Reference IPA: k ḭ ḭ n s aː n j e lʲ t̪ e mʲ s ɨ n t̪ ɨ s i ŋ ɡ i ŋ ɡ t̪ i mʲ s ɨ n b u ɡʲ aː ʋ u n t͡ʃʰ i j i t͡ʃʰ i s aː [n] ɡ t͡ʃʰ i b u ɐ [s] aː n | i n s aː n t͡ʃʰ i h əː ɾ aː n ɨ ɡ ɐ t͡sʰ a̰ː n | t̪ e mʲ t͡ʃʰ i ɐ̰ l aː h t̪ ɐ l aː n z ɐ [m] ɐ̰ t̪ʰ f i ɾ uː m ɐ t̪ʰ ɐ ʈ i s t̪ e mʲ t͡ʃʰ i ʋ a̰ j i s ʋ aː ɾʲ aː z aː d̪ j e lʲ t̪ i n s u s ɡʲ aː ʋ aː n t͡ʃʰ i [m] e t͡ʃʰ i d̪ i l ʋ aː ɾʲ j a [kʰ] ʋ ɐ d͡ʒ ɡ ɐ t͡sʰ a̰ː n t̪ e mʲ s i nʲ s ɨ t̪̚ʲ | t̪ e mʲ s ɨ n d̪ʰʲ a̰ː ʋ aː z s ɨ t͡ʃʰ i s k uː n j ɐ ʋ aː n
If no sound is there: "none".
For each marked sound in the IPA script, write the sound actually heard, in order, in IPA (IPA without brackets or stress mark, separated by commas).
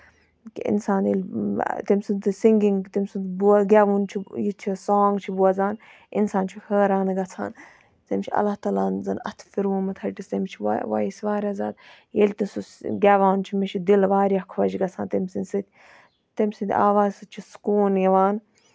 ŋ, z, n, m, kʰ